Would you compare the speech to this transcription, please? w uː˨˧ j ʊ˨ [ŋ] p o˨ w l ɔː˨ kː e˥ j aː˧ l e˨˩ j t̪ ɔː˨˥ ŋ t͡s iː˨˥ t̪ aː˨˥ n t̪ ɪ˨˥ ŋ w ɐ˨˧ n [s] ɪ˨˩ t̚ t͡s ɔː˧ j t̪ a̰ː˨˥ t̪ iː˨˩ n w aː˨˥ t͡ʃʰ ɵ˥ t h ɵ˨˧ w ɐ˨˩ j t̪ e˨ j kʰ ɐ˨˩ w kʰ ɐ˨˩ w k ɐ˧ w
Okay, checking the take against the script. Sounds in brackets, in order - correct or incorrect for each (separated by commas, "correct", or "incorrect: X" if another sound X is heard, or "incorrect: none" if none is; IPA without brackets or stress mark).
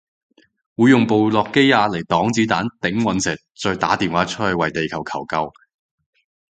correct, correct